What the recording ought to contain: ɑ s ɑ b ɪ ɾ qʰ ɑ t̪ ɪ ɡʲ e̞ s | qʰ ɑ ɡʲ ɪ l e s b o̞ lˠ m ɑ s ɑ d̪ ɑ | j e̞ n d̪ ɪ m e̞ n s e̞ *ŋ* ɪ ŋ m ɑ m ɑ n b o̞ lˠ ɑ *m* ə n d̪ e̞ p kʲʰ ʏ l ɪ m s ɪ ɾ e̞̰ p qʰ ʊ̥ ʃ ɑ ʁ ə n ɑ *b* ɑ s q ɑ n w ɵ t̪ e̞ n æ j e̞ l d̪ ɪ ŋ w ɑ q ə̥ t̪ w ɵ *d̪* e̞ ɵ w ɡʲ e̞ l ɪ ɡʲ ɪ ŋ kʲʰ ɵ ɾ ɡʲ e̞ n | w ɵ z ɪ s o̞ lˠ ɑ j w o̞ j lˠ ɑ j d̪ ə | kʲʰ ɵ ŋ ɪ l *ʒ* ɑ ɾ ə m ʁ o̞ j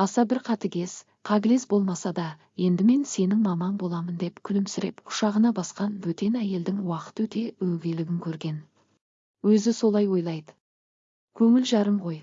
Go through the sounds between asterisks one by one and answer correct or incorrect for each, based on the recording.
incorrect, correct, correct, incorrect, correct

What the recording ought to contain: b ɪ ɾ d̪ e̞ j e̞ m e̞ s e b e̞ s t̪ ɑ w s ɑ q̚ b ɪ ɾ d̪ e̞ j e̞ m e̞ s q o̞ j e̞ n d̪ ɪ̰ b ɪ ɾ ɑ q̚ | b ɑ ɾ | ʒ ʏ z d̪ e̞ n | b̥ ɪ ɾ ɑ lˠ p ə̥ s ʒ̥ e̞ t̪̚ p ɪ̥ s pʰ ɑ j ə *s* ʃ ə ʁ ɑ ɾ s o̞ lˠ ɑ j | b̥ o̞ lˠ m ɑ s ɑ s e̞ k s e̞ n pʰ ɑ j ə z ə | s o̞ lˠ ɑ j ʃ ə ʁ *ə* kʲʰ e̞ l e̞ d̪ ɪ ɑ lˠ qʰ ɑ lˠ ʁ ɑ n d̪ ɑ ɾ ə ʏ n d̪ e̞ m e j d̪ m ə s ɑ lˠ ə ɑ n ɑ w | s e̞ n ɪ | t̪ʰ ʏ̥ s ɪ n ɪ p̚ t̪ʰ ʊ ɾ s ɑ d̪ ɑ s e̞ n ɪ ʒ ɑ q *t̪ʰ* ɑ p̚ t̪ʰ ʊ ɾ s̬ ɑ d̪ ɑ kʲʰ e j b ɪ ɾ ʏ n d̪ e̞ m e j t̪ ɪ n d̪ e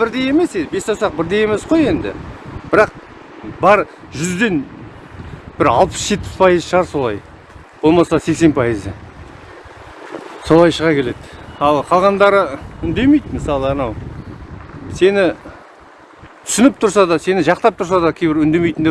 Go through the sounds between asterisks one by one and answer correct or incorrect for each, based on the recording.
incorrect, incorrect, incorrect

